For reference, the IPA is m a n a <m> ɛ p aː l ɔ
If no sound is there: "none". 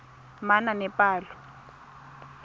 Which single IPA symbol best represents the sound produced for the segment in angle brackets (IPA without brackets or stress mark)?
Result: n